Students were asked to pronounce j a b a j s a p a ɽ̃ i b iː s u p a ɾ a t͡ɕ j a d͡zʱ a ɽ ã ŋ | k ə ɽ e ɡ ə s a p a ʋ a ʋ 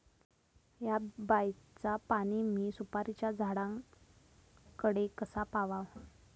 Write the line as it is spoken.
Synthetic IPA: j a b a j t͡s a p a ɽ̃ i m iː s u p a ɾ i t͡ɕ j a d͡zʱ a ɽ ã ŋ | k ə ɽ e k ə s a p a ʋ a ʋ